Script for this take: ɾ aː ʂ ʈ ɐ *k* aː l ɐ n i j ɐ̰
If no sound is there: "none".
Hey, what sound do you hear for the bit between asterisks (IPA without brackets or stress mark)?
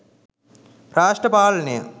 p